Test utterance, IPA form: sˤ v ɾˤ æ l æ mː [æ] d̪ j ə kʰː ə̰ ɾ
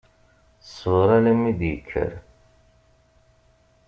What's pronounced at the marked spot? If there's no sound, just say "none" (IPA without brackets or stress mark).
i